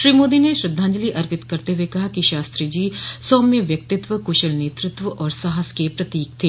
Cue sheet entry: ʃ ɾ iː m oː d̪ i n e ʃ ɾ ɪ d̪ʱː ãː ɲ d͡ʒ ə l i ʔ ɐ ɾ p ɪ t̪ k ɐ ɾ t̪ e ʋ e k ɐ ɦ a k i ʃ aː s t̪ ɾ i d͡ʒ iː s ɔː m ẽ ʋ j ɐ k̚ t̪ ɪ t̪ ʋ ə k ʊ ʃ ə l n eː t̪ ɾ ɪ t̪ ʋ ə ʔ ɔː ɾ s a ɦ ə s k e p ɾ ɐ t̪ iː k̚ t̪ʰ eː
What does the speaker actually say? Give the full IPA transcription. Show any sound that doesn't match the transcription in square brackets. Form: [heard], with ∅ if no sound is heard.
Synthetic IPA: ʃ ɾ iː m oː d̪ i n e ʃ ɾ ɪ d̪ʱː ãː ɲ d͡ʒ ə l i ʔ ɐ ɾ p ɪ t̪ k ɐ ɾ t̪ e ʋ e k ɐ ɦ a k i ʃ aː s t̪ ɾ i d͡ʒ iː s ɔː m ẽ ʋ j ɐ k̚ t̪ ɪ t̪ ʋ ə k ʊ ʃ ə l n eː t̪ ɾ ɪ t̪ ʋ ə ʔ ɔː ɾ s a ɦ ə s k e p ɾ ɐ t̪ iː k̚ t̪ʰ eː